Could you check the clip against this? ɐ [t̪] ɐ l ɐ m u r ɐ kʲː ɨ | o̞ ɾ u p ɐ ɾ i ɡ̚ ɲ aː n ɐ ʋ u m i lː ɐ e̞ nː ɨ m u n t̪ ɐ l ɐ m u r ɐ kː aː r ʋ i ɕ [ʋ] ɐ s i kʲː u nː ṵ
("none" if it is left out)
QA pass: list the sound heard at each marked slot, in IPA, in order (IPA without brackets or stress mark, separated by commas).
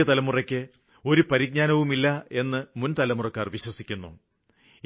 t̪, w